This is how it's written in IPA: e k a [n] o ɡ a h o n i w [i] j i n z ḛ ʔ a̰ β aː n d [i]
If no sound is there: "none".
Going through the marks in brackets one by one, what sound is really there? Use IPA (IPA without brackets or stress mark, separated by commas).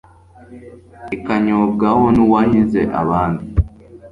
ɲ, a, i